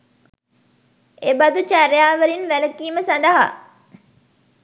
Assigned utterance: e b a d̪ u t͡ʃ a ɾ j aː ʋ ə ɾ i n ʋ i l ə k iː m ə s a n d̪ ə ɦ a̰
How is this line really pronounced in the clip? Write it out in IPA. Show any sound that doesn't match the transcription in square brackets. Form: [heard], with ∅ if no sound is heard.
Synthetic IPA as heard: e b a d̪ u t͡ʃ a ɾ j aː ʋ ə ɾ i n ʋ [æ] l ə k iː m ə s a n d̪ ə ɦ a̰